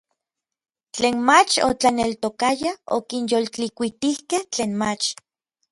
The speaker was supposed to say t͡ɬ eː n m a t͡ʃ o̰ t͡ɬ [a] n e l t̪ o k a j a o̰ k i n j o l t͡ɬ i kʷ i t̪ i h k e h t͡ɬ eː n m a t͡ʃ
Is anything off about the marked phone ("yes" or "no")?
no